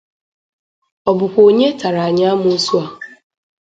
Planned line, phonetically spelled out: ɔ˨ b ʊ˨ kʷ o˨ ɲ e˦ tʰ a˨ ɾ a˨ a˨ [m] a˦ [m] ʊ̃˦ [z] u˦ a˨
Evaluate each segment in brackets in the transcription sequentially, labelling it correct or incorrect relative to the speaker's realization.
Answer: incorrect: ɲ, correct, incorrect: s

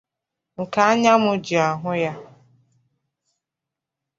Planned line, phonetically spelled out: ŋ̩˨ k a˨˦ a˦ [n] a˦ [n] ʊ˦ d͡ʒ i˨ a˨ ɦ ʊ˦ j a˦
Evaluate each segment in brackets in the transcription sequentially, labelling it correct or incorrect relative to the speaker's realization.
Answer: incorrect: ɲ, incorrect: m

